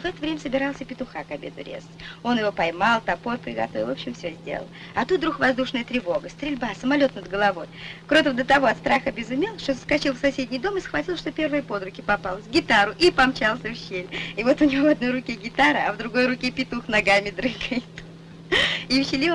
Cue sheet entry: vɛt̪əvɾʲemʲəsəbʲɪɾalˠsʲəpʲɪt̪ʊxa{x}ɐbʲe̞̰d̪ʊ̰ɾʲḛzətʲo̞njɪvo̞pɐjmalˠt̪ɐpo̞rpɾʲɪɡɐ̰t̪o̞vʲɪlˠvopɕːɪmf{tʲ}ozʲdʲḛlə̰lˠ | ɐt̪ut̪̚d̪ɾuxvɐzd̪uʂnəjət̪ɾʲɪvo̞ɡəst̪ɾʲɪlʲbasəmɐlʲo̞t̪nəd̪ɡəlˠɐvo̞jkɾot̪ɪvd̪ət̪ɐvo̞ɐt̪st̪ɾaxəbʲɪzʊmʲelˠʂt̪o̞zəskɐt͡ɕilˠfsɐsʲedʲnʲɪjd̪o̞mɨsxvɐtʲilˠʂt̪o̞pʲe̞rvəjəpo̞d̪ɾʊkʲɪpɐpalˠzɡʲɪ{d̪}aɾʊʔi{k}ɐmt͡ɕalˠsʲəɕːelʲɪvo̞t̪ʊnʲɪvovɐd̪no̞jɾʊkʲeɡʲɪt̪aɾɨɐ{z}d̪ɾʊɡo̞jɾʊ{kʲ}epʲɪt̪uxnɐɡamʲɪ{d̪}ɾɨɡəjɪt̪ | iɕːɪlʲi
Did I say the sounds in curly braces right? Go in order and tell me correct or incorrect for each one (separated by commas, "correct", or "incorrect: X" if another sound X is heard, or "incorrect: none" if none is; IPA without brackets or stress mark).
incorrect: k, incorrect: sʲ, incorrect: t̪, incorrect: p, incorrect: v, correct, correct